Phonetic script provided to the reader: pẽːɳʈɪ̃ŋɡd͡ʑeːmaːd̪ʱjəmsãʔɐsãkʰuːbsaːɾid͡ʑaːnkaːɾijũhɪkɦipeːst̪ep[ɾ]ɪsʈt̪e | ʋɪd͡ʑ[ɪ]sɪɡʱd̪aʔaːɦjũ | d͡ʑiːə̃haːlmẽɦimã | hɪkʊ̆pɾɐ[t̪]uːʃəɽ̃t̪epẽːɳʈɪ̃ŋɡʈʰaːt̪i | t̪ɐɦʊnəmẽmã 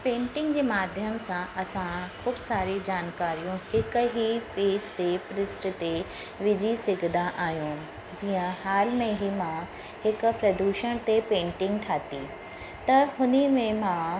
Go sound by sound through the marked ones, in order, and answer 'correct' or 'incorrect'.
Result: correct, incorrect: i, incorrect: d̪

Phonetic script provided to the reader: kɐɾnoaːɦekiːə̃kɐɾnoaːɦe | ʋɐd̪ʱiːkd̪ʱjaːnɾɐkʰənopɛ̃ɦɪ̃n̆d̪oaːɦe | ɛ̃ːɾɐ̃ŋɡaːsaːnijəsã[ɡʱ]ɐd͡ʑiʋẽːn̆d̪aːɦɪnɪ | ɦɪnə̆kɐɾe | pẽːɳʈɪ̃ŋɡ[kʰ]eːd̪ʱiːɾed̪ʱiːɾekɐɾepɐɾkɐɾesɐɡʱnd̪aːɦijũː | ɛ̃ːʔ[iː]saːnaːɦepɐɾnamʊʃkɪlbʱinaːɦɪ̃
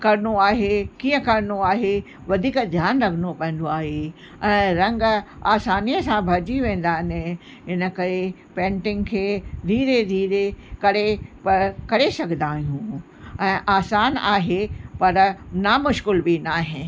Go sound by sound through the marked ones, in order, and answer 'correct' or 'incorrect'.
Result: incorrect: bʱ, correct, incorrect: aː

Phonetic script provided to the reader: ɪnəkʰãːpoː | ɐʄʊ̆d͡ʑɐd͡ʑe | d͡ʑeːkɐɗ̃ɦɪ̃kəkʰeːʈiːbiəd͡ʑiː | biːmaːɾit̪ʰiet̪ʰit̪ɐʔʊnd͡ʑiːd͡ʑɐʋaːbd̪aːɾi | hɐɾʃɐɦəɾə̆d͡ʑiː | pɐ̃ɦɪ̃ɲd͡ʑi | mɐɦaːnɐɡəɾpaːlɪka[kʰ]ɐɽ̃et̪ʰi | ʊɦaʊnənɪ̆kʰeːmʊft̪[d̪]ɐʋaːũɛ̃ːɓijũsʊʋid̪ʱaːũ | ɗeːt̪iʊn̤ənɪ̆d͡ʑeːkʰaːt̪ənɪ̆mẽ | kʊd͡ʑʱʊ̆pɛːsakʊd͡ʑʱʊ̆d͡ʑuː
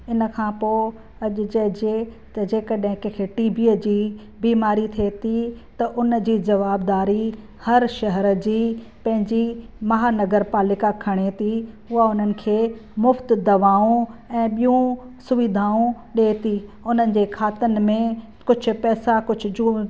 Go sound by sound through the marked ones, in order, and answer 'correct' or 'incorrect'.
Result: correct, correct

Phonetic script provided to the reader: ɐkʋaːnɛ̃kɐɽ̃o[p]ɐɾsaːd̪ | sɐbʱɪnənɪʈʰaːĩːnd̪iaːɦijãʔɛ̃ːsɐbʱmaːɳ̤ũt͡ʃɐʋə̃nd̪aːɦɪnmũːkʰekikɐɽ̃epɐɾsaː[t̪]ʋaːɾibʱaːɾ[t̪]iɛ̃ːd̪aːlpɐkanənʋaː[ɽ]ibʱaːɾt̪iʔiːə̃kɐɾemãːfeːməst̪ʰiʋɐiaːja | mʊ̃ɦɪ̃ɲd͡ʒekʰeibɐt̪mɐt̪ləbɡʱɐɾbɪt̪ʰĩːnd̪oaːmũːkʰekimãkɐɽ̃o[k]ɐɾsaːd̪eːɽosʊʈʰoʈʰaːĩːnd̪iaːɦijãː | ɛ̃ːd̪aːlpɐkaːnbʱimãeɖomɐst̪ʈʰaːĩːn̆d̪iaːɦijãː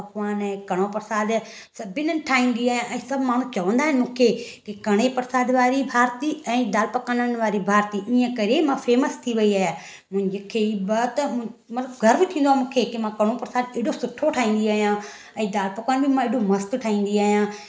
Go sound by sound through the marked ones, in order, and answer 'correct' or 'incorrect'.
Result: correct, incorrect: d̪, correct, incorrect: ɾ, incorrect: p

